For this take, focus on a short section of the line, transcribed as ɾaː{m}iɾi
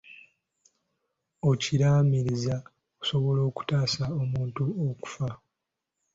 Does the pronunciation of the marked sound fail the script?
no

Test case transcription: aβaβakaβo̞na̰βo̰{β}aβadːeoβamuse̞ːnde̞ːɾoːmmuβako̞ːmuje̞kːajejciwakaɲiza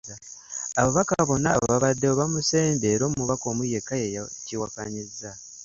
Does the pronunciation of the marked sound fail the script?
no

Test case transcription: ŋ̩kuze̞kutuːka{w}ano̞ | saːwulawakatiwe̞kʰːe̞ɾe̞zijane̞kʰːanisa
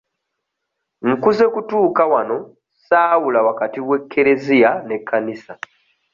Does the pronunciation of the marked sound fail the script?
no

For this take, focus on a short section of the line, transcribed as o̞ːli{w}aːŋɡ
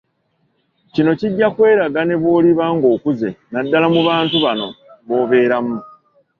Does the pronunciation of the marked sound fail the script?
yes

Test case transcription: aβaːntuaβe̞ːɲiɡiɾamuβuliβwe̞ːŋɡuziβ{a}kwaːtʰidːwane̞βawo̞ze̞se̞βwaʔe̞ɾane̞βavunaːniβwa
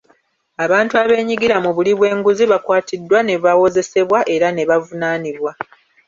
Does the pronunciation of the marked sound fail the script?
no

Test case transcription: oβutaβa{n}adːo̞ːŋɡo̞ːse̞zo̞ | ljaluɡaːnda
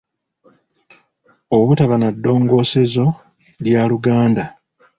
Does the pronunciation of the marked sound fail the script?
no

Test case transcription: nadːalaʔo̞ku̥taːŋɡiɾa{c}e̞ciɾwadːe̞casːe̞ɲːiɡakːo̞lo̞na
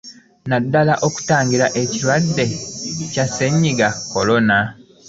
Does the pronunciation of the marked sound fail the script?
yes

